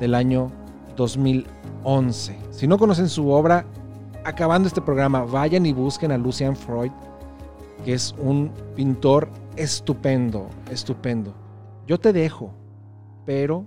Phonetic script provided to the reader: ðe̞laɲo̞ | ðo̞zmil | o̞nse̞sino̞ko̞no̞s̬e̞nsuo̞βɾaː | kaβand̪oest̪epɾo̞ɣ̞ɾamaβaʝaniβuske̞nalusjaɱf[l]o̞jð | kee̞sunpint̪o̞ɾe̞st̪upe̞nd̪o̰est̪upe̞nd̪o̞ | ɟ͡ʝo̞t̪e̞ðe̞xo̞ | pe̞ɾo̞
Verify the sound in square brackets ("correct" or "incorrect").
incorrect